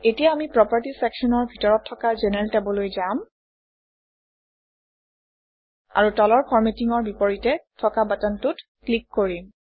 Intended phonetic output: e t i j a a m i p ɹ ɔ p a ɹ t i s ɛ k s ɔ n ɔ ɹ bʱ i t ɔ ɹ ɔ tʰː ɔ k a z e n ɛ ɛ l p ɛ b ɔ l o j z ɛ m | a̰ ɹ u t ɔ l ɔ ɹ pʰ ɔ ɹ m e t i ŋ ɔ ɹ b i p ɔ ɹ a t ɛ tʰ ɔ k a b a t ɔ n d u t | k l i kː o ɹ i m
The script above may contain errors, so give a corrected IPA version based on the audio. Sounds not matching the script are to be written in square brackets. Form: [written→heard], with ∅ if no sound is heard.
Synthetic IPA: e t i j a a m i p ɹ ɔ p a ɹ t i s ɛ k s ɔ n ɔ ɹ bʱ i t ɔ ɹ ɔ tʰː ɔ k a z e n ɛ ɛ l [p→t] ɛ b ɔ l o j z [ɛ→a] m | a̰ ɹ u t ɔ l ɔ ɹ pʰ ɔ ɹ m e t i ŋ ɔ ɹ b i p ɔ ɹ [a→i] t ɛ tʰ ɔ k a b a t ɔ n [d→t] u t | k l i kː o ɹ i m